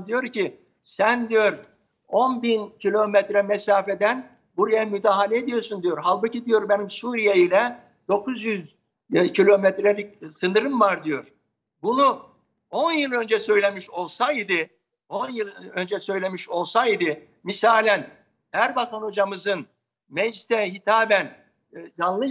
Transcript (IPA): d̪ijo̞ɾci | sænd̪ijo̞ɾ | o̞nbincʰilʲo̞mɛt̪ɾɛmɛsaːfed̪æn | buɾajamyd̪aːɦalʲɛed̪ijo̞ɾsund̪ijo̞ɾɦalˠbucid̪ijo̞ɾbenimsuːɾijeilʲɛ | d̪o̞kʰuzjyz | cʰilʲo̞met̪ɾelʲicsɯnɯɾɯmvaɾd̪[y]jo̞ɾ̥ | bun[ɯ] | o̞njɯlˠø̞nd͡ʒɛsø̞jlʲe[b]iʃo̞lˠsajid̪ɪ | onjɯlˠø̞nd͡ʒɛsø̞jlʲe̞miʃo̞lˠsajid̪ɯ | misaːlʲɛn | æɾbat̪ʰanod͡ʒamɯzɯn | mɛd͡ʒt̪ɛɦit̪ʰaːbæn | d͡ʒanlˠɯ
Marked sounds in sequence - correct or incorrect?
incorrect, incorrect, incorrect

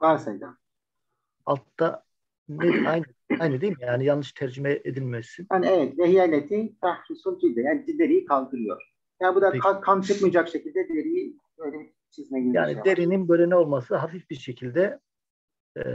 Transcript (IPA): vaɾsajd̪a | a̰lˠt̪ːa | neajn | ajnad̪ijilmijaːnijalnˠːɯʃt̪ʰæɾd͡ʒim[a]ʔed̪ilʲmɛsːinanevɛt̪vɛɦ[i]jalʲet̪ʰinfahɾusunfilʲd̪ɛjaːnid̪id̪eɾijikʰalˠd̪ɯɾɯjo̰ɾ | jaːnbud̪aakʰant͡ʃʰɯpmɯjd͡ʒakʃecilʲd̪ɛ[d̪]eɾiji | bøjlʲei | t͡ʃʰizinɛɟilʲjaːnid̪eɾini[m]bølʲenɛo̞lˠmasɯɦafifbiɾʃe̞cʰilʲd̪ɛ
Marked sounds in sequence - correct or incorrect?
incorrect, correct, correct, incorrect

